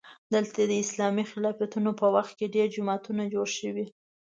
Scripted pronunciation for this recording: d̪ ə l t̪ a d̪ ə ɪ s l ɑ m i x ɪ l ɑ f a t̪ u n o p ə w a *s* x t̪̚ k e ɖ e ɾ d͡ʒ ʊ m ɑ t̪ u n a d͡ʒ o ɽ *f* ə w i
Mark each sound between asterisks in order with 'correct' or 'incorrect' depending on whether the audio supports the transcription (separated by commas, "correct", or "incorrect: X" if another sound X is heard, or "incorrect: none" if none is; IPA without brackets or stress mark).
incorrect: none, incorrect: ʃ